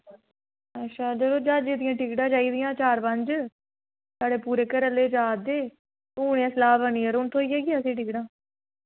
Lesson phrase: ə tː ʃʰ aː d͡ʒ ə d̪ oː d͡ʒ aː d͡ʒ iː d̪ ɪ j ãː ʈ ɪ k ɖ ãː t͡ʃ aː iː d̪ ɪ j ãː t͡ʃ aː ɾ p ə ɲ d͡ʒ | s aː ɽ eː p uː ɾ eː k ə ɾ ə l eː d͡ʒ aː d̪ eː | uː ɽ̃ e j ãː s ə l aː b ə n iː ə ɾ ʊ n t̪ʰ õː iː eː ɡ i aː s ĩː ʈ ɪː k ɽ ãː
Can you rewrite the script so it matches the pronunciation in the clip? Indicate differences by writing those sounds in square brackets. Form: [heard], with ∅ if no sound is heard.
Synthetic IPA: ə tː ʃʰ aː d͡ʒ ə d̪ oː d͡ʒ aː d͡ʒ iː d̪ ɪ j ãː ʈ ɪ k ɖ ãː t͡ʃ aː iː d̪ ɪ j ãː t͡ʃ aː ɾ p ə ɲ d͡ʒ | s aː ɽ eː p uː ɾ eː k ə ɾ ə l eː d͡ʒ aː d̪ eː | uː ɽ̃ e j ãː s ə l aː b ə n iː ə ɾ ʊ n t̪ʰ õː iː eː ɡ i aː s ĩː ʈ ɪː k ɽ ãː

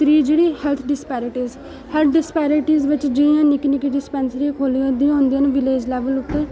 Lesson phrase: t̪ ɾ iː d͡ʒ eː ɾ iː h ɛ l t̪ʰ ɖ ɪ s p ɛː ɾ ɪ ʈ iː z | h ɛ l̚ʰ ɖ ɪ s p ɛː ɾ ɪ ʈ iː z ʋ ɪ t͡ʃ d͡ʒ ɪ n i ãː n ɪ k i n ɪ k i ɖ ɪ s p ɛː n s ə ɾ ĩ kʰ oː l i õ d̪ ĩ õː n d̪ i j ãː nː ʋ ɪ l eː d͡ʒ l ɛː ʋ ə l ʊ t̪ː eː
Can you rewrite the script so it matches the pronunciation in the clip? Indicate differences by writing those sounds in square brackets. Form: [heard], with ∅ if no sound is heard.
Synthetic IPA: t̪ ɾ iː d͡ʒ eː [ɽ] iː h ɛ l t̪ʰ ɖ ɪ s p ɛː ɾ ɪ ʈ iː z | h ɛ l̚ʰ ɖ ɪ s p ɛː ɾ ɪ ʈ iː z ʋ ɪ t͡ʃ d͡ʒ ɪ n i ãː n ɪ k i n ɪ k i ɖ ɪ s p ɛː n s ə ɾ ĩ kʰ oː l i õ d̪ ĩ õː n d̪ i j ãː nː ʋ ɪ l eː d͡ʒ l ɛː ʋ ə l ʊ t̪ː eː

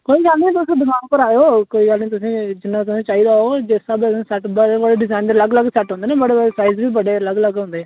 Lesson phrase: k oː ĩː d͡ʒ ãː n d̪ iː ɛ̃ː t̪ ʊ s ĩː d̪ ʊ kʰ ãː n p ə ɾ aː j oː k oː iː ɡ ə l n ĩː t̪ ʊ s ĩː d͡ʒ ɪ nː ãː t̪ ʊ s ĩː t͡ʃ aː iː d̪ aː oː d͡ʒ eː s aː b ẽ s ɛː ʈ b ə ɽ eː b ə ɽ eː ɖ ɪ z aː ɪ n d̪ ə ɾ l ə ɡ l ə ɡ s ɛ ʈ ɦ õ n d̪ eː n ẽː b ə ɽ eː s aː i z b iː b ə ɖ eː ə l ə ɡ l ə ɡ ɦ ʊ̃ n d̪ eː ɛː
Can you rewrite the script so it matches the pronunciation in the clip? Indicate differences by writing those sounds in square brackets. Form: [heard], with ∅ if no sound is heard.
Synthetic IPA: k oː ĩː d͡ʒ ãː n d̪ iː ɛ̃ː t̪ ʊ s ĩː d̪ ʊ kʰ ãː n p ə ɾ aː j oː k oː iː ɡ ə l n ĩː t̪ ʊ s ĩː d͡ʒ ɪ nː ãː t̪ ʊ s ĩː t͡ʃ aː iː d̪ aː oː d͡ʒ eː s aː b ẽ s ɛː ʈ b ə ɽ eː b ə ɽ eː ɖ ɪ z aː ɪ n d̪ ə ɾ l ə ɡ l ə ɡ s ɛ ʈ ɦ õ n d̪ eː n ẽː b ə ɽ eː s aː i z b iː b ə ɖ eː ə l ə ɡ l ə ɡ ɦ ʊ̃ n d̪ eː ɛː

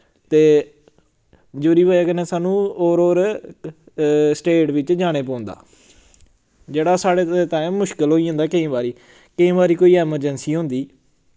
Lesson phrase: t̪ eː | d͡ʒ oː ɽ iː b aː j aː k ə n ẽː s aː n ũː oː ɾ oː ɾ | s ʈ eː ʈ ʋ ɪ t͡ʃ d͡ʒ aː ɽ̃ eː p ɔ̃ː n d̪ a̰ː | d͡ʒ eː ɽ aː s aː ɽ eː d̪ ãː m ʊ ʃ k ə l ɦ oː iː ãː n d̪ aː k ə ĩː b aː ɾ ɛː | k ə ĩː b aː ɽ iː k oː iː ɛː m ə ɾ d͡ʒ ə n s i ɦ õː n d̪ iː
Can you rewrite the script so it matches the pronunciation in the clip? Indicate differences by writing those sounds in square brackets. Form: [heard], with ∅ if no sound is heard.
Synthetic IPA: t̪ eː | d͡ʒ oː [ɾ] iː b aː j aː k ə n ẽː s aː n ũː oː ɾ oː ɾ | s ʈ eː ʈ ʋ ɪ t͡ʃ d͡ʒ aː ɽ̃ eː p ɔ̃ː n d̪ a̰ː | d͡ʒ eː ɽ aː s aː ɽ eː [t̪] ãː m ʊ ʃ k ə l ɦ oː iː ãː n d̪ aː k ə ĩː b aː ɾ [iː] | k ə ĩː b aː [ɾ] iː k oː iː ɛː m ə ɾ d͡ʒ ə n s [iː] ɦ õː n d̪ iː

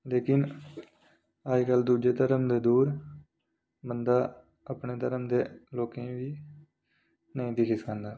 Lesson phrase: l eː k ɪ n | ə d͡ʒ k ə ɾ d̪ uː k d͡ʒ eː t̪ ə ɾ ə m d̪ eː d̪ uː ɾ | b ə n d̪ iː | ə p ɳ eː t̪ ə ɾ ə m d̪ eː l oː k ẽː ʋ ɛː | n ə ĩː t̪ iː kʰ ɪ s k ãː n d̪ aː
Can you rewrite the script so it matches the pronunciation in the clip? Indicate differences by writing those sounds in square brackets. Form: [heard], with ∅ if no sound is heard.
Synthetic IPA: l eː k ɪ n | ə d͡ʒ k ə [l] d̪ uː [∅] d͡ʒ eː t̪ ə ɾ ə m d̪ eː d̪ uː ɾ | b ə n d̪ [aː] | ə p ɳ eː t̪ ə ɾ ə m d̪ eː l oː k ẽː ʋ [iː] | n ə ĩː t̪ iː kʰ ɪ s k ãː n d̪ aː

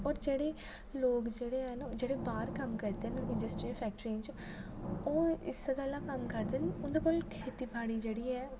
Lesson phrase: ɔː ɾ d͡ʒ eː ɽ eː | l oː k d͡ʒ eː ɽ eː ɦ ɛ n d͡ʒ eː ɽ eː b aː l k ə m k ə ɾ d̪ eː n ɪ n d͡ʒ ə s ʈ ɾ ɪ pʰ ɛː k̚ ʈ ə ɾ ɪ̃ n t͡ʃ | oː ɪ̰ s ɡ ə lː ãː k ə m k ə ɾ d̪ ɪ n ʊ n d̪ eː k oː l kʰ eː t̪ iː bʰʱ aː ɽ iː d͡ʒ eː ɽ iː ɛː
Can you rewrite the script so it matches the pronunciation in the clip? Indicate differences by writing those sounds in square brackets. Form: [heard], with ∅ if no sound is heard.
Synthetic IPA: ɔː ɾ d͡ʒ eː ɽ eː | l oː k d͡ʒ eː ɽ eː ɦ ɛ n d͡ʒ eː ɽ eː b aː [ɾ] k ə m k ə ɾ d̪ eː n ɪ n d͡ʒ ə s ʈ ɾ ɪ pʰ ɛː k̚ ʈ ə ɾ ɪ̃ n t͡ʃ | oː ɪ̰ s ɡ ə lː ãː k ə m k ə ɾ d̪ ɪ n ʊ n d̪ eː k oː l kʰ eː t̪ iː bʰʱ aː ɽ iː d͡ʒ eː ɽ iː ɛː

